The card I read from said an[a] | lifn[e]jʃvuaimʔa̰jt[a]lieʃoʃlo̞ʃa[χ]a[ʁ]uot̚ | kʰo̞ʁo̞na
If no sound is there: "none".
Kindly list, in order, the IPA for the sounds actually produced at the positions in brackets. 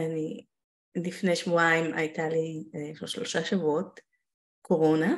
i, e, a, ʃ, v

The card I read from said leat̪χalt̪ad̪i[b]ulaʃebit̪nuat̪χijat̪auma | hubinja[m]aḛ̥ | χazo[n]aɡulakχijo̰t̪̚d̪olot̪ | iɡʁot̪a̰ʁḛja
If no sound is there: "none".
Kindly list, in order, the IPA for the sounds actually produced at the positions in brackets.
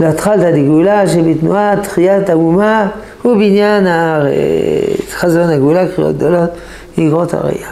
ɡ, n, n

